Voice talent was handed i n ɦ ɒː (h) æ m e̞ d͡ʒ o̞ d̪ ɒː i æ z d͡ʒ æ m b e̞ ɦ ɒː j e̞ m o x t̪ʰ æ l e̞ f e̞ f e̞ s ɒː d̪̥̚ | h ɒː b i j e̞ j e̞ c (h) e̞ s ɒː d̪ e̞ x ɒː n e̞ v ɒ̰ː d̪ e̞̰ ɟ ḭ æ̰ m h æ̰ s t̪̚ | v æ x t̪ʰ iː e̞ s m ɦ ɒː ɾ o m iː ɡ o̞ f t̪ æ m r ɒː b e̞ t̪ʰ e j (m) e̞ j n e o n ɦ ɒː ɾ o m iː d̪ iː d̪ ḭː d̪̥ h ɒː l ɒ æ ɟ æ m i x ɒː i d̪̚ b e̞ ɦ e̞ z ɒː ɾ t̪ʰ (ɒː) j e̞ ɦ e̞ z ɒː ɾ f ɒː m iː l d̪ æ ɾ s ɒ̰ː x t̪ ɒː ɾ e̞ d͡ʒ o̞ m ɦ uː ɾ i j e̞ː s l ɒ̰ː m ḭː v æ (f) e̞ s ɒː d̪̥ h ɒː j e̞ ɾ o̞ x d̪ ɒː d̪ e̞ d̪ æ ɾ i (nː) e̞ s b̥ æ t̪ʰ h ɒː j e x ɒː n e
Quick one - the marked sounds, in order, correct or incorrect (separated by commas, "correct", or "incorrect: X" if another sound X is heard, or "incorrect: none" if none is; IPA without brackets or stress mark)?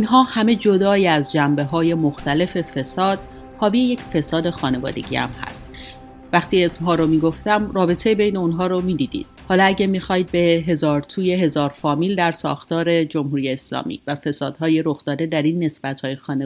correct, incorrect: f, incorrect: b, incorrect: uː, correct, correct